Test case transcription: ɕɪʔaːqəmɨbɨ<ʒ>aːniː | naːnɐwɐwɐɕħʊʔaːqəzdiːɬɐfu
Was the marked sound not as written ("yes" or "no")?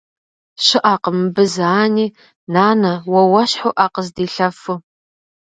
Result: yes